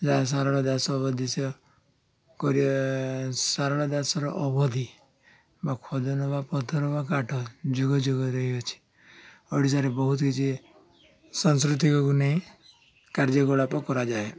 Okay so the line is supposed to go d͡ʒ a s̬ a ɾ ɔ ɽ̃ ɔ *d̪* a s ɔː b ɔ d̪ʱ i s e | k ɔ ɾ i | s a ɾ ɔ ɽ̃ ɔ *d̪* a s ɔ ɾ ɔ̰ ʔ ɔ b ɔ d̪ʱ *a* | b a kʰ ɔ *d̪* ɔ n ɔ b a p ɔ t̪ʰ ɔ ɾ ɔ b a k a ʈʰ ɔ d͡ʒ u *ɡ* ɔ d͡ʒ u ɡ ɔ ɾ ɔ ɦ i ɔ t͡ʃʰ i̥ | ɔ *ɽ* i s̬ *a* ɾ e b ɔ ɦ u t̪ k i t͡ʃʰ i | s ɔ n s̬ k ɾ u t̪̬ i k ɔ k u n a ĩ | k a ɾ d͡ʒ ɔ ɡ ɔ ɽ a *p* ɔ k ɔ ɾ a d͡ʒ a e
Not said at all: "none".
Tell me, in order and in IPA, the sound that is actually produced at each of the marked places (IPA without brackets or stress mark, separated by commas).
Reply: d̪, d̪, i, d̪, ɡ, ɽ, a, p